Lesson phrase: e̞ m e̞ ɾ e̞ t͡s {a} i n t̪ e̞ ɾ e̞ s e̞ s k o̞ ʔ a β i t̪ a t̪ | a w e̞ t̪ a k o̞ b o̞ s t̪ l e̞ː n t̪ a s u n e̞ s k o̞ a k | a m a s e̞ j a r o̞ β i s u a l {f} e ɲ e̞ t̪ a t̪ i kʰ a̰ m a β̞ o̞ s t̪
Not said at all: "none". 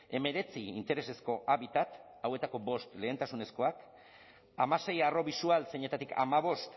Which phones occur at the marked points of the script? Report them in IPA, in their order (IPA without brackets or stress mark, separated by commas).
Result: i, s